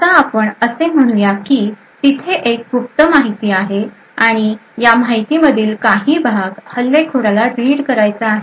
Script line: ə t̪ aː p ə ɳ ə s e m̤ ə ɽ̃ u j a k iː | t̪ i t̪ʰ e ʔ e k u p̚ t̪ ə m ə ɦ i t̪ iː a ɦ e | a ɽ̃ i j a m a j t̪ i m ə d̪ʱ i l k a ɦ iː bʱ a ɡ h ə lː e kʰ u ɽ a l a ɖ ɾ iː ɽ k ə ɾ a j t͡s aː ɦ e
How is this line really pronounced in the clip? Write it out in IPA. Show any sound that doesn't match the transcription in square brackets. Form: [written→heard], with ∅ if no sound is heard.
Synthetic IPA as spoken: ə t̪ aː p ə ɳ ə s e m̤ ə ɽ̃ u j a k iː | t̪ i t̪ʰ e ʔ e k u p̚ t̪ ə m [ə→a] ɦ i t̪ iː a ɦ e | a ɽ̃ i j a m a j t̪ i m ə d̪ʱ [i→iː] l k a ɦ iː bʱ a ɡ h ə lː e kʰ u ɽ a l a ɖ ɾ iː ɽ k ə ɾ a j t͡s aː ɦ e